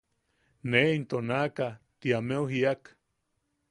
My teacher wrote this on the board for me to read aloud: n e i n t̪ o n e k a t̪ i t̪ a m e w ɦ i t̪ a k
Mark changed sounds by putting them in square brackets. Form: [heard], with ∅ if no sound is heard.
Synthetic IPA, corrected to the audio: n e i n t̪ o n [a] k a t̪ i [∅] a m e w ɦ i [∅] a k